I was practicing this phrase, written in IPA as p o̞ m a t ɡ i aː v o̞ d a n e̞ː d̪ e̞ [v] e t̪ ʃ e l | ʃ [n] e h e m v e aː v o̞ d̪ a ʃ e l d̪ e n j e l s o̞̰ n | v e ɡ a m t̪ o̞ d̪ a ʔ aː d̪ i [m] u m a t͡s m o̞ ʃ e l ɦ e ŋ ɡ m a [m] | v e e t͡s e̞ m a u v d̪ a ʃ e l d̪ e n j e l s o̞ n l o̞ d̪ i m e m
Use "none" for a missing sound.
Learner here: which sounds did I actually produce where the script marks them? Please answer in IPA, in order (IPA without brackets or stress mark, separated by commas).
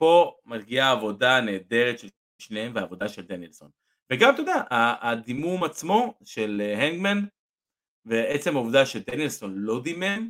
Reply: ʁ, n, m, n